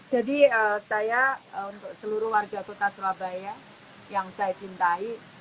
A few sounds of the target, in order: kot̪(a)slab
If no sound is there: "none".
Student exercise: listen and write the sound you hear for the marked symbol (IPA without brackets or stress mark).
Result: a